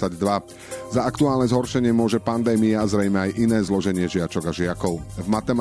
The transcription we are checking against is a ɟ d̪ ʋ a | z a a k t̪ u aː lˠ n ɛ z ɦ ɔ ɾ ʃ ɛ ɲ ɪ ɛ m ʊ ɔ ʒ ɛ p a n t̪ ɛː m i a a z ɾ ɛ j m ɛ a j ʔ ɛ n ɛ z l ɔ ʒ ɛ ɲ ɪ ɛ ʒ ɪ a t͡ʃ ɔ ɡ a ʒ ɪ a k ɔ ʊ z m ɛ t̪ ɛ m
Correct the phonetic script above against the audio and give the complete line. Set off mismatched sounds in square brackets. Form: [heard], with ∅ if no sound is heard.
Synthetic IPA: a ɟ d̪ ʋ a | z a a k t̪ u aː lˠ n ɛ z ɦ ɔ ɾ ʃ ɛ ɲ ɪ ɛ m ʊ ɔ ʒ ɛ p a n [d̪] ɛː m i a a z ɾ ɛ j m ɛ a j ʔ [i] n [ɛː] z l ɔ ʒ ɛ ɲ ɪ ɛ ʒ ɪ a t͡ʃ ɔ ɡ a ʒ ɪ a k ɔ ʊ [v] m [a] t̪ ɛ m